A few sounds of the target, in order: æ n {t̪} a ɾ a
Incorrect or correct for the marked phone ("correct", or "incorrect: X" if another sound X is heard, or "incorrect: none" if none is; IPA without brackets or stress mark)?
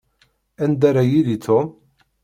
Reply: incorrect: d̪